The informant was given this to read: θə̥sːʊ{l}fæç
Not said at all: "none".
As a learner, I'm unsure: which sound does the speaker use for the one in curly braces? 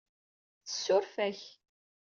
ɾ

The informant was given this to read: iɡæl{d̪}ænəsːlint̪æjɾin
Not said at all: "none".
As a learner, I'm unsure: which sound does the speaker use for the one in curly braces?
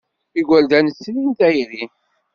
d̪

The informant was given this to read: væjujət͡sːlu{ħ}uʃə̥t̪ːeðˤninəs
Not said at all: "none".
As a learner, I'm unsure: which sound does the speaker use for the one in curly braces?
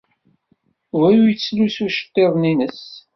s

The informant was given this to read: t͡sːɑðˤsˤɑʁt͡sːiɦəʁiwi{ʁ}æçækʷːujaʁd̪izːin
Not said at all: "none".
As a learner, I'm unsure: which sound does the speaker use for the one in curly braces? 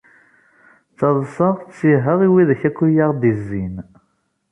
ð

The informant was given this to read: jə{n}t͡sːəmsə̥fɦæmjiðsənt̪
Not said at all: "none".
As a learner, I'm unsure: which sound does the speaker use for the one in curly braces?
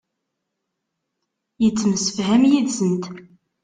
none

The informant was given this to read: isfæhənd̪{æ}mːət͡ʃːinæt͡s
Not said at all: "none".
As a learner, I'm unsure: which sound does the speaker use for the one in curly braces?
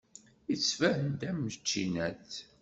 æ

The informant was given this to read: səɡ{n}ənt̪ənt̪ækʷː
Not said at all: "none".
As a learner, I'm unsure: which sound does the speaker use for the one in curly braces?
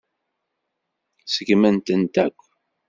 m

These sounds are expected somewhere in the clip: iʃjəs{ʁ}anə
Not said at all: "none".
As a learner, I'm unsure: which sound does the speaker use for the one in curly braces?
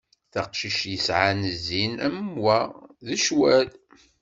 ʕ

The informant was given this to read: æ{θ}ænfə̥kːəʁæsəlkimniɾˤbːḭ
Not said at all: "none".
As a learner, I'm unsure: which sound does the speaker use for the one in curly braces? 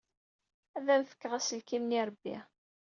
ð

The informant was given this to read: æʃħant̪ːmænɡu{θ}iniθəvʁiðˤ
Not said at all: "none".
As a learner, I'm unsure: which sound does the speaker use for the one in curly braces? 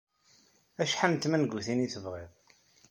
θ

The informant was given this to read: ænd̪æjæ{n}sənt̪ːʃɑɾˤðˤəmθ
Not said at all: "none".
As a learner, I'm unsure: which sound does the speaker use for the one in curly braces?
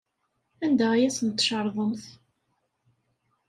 none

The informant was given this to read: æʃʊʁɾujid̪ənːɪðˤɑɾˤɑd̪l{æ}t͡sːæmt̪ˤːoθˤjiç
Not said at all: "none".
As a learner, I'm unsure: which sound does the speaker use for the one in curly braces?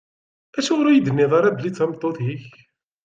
i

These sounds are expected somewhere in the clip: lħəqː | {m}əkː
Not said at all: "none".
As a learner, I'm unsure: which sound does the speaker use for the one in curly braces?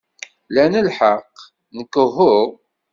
n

